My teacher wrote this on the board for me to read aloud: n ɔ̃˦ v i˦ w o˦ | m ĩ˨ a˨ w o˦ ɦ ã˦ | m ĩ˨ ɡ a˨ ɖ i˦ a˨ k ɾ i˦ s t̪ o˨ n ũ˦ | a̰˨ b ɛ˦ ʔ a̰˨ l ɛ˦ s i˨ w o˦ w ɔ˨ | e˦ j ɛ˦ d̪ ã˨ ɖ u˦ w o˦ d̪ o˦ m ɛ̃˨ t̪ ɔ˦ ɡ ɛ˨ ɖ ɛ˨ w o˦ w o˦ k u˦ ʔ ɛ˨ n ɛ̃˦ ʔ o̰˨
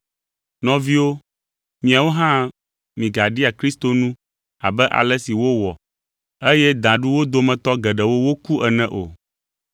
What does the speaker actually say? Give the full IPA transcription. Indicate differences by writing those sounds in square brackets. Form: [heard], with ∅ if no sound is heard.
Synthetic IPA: n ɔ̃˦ v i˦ w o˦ | m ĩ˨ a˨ w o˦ ɦ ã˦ | m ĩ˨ ɡ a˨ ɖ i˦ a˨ k ɾ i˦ s t̪ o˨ n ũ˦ | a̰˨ b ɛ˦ ʔ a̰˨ l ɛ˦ s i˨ w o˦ w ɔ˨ | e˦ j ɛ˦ d̪ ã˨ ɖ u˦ w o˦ d̪ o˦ m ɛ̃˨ t̪ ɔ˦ ɡ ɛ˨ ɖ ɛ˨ w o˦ w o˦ k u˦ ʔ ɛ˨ n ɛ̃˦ ʔ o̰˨